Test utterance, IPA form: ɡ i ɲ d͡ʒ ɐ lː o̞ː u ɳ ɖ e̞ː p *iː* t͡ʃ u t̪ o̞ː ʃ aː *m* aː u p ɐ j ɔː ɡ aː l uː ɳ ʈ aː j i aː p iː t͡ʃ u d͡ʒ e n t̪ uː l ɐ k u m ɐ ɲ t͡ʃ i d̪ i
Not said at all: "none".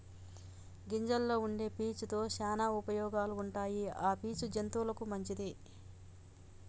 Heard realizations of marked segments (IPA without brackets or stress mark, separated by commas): iː, n